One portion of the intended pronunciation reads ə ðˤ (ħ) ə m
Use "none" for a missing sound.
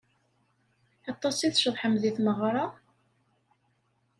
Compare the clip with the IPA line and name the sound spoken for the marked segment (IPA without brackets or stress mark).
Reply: ħ